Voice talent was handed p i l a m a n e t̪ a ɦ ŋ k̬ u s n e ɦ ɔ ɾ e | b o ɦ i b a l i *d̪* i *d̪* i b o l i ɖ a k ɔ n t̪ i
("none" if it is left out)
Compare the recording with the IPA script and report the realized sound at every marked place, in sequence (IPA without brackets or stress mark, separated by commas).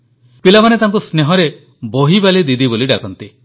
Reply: d̪, d̪